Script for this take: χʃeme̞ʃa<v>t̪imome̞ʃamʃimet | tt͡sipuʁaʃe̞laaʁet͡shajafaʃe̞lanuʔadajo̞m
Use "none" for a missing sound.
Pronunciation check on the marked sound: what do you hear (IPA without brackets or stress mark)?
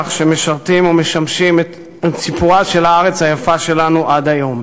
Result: ʁ